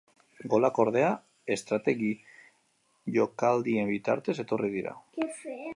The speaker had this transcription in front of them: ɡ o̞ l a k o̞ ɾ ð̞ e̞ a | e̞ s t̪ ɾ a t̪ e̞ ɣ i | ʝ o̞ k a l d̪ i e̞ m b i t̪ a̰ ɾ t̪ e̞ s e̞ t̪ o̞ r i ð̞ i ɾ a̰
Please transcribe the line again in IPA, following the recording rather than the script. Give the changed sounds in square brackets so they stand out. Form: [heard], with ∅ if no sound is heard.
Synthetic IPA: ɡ o̞ l a k o̞ ɾ ð̞ e̞ a | e̞ s t̪ ɾ a t̪ e̞ ɣ i | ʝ o̞ k a l d̪ i e̞ m b i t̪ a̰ ɾ t̪ e̞ s e̞ t̪ o̞ r i ð̞ i ɾ a̰